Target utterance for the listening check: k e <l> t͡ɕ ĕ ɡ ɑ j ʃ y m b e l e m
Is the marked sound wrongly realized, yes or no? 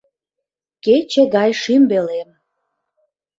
yes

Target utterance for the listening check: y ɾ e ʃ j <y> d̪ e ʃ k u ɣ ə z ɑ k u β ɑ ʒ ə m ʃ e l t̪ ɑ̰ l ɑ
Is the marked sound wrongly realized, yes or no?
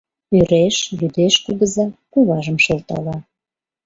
no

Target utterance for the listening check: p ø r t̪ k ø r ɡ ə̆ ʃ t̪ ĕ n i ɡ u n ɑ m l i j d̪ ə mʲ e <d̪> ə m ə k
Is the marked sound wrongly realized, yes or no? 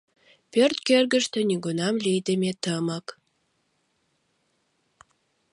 yes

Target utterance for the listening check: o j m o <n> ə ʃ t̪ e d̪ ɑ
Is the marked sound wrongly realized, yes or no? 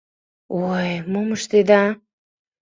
yes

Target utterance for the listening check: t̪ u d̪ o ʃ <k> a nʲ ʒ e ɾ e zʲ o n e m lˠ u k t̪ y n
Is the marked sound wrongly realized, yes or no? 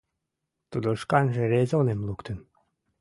no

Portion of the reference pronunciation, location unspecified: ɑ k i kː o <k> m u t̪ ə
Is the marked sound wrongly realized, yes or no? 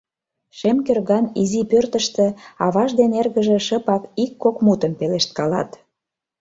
no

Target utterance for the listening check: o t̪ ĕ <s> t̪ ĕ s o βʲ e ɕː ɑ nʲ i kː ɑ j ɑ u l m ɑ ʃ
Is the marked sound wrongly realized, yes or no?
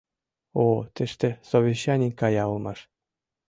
yes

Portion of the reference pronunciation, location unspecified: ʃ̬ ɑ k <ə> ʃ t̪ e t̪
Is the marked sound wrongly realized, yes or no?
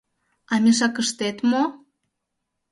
no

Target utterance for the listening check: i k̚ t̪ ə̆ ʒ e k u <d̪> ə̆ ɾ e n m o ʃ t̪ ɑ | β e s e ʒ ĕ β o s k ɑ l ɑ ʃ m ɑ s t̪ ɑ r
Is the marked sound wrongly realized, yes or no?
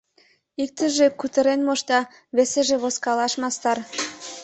yes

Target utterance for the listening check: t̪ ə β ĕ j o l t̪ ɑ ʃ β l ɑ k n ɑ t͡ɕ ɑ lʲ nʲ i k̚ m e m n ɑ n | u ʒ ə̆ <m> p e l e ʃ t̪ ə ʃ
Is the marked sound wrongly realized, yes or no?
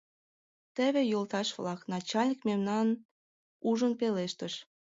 yes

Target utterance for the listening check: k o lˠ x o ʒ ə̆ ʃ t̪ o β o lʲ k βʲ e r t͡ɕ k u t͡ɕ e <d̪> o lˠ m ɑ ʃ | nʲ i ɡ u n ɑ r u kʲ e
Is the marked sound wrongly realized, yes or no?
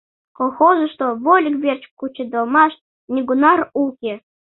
no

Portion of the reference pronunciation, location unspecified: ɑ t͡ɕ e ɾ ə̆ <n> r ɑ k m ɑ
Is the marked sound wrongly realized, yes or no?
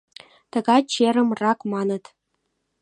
yes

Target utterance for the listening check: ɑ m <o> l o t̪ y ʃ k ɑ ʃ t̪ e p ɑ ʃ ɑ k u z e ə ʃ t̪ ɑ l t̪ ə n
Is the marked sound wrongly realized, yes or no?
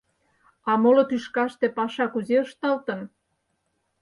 no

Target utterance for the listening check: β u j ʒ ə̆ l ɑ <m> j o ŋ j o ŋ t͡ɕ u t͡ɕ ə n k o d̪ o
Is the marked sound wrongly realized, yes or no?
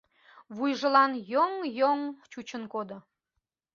yes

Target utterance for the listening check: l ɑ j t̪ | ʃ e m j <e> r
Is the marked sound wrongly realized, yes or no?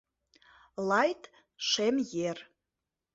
no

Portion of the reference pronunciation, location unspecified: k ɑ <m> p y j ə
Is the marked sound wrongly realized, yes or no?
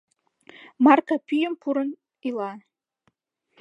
yes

